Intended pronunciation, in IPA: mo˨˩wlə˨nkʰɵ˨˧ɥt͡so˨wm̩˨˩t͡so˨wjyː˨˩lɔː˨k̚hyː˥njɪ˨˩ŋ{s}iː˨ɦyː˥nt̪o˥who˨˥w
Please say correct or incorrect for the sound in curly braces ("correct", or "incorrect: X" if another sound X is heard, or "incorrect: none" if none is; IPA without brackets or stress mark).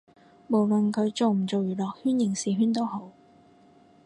correct